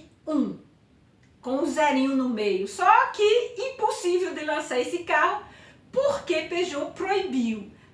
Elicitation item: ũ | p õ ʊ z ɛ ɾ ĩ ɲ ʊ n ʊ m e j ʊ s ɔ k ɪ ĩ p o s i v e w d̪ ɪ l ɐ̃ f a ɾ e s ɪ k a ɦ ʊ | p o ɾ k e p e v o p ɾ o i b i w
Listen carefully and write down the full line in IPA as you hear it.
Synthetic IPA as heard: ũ | k õ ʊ z ɛ ɾ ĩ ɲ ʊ n ʊ m e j ʊ s ɔ k ɪ ĩ p o s i v e w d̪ ɪ l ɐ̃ s a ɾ e s ɪ k a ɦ ʊ | p o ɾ k e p e ʒ o p ɾ o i b i w